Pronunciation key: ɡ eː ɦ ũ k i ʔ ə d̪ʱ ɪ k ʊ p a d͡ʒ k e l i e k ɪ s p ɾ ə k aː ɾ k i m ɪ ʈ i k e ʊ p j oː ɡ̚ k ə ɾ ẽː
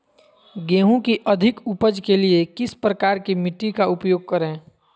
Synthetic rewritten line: ɡ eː ɦ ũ k i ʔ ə d̪ʱ ɪ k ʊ p ə d͡ʒ k e l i e k ɪ s p ɾ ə k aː ɾ k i m ɪ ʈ i k a ʊ p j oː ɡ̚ k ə ɾ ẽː